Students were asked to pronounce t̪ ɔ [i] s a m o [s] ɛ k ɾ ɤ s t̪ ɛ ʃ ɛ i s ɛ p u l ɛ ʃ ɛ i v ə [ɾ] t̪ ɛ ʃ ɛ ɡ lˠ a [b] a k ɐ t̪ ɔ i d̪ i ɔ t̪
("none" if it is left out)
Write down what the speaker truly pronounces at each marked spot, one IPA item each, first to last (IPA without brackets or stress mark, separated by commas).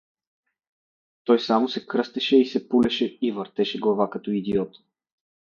j, s, ɾ, v